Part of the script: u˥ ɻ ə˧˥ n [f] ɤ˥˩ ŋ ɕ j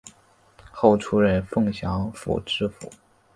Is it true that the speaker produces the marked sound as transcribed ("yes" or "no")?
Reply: yes